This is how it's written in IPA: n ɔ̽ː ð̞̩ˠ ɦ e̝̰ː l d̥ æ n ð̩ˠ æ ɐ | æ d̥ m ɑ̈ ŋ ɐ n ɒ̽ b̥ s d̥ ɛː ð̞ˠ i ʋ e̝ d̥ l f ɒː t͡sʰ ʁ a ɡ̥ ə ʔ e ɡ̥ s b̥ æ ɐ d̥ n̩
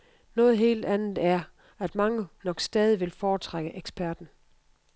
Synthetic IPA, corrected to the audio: n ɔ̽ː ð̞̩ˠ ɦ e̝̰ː l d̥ æ n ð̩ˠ æ ɐ | æ d̥ m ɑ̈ ŋ ə n ɒ̽ ɡ̥ s d̥ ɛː ð̞ˠ i ʋ e̝ l f ɒː t͡sʰ ʁ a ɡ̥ ə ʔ e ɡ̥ s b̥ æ ɐ d̥ n̩